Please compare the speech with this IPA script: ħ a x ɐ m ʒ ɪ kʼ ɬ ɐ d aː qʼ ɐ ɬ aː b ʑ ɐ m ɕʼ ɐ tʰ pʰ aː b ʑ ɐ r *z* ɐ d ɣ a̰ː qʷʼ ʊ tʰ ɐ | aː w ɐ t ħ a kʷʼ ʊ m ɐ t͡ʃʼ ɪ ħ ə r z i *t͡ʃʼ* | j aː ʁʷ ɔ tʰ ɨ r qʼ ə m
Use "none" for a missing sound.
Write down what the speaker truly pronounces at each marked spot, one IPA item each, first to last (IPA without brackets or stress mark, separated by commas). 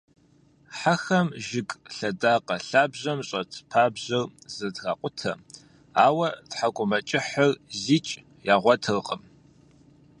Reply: z, t͡ʃʼ